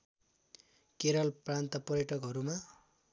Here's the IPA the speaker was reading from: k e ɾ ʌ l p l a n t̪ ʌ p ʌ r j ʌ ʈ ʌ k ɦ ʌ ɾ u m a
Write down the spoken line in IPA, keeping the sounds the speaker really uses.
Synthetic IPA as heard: k e ɾ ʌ l p r a n t̪ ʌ p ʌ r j ʌ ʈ ʌ k ɦ ʌ ɾ u m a